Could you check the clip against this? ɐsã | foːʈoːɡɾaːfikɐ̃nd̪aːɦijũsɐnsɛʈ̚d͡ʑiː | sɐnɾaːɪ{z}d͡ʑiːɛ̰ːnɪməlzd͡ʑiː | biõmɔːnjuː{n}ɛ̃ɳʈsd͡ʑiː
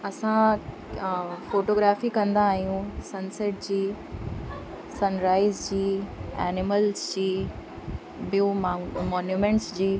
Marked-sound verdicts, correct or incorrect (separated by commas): correct, incorrect